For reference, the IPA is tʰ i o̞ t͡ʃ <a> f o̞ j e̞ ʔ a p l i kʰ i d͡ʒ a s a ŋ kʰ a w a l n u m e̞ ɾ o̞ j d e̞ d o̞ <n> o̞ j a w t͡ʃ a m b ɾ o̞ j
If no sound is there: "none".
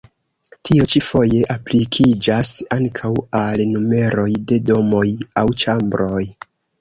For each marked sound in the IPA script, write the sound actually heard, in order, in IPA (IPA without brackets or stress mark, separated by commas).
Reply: i, m